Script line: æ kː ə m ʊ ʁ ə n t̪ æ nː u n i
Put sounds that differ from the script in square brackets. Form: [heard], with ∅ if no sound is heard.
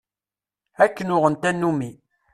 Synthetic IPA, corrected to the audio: æ kː ə [n] ʊ ʁ ə n t̪ æ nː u [m] i